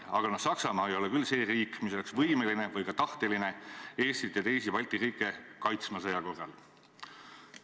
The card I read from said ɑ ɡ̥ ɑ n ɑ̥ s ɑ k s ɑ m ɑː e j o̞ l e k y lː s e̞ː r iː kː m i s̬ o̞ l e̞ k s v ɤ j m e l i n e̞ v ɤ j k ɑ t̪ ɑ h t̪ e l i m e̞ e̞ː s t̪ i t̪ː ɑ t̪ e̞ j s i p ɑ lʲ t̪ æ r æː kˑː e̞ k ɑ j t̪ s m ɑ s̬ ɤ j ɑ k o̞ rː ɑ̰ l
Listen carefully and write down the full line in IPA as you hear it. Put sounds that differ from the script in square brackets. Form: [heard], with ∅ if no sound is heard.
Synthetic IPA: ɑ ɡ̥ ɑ n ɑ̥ s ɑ k s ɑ m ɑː e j o̞ l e k y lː s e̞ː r iː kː m i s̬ o̞ l e̞ k s v ɤ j m e l i n e̞ v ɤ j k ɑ t̪ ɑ h t̪ e l i [n] e̞ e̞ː s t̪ i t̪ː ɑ t̪ e̞ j s i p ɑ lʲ t̪ [i] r [iː] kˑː e̞ k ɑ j t̪ s m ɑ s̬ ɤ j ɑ k o̞ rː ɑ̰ l